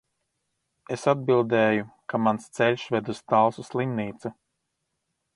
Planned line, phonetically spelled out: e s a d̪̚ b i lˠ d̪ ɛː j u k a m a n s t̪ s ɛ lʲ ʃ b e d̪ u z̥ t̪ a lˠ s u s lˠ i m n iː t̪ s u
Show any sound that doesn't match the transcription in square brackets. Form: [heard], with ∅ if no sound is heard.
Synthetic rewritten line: e s a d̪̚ b i lˠ d̪ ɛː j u k a m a n s t̪ s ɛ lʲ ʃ [v] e d̪ u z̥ t̪ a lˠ s u s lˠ i m n iː t̪ s u